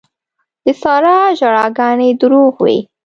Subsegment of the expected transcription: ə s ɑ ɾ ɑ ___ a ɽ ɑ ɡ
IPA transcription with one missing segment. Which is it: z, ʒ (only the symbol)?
ʒ